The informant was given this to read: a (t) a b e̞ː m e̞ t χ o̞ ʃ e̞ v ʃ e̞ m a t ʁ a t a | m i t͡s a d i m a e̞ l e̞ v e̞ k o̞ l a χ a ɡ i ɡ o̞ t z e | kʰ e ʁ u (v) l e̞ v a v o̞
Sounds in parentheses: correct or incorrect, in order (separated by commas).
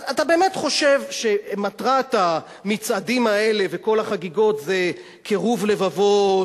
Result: correct, correct